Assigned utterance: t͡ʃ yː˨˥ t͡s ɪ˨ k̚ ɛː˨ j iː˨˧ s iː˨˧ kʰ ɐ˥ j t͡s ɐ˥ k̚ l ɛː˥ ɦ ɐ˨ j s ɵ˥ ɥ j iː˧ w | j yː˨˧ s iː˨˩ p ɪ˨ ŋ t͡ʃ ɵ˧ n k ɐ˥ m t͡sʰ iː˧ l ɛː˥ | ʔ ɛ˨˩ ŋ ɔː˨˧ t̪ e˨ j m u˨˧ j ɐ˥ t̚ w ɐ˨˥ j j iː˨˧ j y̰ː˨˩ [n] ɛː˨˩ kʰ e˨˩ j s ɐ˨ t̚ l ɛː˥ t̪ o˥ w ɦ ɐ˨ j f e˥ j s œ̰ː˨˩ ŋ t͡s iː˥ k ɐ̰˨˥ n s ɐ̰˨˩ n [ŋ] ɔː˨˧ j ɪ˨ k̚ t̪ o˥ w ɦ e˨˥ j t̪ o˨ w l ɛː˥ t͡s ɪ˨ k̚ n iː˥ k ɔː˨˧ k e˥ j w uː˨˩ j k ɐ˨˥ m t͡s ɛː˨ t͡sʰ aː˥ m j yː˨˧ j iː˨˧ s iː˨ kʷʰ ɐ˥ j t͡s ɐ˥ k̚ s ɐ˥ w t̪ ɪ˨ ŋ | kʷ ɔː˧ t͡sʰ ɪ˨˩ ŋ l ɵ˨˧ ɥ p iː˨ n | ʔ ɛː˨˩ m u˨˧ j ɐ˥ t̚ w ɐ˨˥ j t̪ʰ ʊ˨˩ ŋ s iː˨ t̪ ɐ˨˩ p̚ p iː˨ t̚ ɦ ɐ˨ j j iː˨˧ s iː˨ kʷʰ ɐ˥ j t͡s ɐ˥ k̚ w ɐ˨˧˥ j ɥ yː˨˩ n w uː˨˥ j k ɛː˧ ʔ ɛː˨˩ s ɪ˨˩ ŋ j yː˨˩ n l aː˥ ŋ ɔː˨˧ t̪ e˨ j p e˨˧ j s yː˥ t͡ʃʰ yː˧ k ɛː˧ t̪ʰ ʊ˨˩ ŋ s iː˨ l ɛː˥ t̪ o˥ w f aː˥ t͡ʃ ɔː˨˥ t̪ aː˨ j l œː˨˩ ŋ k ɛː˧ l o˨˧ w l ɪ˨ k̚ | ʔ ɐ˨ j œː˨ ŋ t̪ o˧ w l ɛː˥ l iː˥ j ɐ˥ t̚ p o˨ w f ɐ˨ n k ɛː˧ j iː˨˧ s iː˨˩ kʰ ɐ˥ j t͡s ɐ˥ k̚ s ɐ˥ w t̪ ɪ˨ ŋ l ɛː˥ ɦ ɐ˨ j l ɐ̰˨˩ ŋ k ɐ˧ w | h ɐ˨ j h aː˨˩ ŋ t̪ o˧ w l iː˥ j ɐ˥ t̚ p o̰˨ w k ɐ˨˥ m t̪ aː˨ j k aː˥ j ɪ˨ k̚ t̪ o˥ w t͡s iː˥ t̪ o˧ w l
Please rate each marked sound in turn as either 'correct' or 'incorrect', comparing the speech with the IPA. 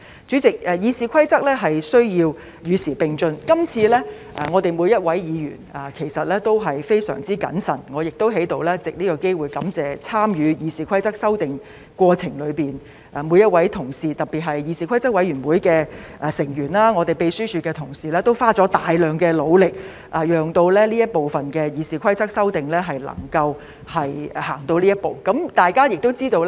correct, correct

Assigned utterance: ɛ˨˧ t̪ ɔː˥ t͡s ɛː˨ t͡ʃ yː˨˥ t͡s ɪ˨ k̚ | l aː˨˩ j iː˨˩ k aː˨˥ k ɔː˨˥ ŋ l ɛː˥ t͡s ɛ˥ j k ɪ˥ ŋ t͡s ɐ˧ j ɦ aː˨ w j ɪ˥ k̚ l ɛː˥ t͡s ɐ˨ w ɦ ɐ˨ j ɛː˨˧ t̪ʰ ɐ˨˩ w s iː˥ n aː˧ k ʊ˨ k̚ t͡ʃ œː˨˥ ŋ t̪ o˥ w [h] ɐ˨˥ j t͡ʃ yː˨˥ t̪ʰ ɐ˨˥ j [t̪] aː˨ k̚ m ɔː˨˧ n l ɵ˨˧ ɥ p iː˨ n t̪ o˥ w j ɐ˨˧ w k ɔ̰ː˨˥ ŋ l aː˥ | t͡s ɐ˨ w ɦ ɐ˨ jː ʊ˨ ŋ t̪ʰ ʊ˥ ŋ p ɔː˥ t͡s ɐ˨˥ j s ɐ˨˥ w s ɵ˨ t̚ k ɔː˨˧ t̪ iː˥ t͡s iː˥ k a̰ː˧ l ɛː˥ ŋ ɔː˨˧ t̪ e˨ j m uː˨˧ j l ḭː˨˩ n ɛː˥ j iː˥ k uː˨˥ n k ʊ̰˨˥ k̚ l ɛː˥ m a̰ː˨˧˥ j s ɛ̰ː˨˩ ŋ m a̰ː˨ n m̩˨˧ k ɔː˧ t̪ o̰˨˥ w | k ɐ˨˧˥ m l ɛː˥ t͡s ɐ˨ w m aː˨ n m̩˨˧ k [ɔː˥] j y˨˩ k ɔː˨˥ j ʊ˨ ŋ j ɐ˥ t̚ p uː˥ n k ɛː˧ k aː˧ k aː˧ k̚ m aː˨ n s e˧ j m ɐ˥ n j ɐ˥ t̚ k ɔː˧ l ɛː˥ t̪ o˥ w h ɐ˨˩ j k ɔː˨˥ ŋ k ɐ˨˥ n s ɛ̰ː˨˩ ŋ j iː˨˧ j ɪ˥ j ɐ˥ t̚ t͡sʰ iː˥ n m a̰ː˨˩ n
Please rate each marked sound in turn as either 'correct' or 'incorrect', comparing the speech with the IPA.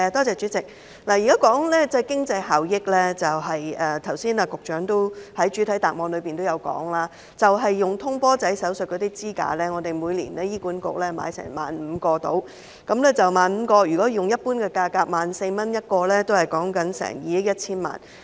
correct, correct, incorrect: ɔː˧

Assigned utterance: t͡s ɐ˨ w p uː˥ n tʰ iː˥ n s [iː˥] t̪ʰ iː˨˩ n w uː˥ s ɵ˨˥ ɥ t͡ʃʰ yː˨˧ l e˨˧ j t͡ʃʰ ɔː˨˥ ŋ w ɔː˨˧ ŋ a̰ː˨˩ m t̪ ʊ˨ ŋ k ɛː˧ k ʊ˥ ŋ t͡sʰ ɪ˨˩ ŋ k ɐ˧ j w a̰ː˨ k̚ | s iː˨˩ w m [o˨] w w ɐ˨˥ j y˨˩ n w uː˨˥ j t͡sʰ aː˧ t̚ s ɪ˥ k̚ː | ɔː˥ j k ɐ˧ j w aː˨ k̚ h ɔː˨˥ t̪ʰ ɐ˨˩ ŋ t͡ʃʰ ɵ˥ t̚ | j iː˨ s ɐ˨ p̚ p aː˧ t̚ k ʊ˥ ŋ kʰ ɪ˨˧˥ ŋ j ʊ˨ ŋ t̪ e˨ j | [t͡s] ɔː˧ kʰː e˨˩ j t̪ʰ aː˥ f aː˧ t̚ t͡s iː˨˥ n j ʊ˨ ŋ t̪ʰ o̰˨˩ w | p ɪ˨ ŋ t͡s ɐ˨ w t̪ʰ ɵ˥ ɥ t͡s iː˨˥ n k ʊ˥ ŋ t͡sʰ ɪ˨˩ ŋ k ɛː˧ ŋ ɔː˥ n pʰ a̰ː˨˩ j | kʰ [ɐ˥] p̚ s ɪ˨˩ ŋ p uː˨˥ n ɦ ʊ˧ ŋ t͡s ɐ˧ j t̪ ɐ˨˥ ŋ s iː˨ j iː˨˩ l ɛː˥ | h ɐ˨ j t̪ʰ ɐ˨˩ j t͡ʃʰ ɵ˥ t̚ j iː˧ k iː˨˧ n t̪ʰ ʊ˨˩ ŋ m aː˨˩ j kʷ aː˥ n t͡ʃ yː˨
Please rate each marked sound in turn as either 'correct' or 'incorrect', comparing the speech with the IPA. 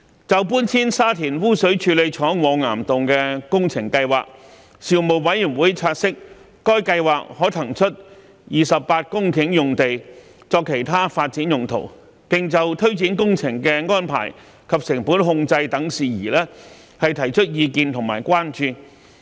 incorrect: aː˥, correct, correct, incorrect: ɐ˨

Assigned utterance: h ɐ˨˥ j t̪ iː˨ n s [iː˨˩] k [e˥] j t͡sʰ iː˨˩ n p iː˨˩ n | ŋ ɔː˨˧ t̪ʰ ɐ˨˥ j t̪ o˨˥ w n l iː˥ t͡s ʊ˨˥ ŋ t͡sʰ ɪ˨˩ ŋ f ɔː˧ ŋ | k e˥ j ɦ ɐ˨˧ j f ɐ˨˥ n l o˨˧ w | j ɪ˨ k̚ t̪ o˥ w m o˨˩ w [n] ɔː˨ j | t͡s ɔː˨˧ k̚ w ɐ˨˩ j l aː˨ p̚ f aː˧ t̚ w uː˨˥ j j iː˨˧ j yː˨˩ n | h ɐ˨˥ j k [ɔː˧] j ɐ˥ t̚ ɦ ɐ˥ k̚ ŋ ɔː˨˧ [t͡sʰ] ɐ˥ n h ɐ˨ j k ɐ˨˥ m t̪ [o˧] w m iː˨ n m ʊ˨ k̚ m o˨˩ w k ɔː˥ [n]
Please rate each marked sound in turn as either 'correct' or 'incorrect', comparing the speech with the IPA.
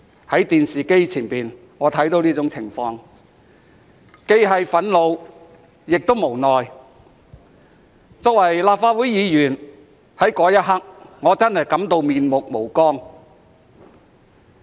correct, correct, correct, incorrect: ɔː˨˥, incorrect: t͡s, correct, incorrect: ŋ

